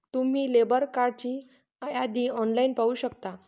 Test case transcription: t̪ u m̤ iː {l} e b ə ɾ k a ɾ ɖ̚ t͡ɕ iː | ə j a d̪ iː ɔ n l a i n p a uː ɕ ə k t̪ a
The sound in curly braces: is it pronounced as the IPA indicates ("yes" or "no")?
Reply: yes